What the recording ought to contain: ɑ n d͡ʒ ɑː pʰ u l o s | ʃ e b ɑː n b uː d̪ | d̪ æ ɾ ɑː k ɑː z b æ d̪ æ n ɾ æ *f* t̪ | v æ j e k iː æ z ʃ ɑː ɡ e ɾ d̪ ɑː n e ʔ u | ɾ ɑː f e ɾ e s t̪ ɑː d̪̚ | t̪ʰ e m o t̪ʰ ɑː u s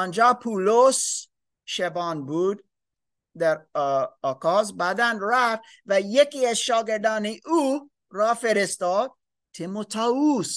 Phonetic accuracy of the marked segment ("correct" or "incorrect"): correct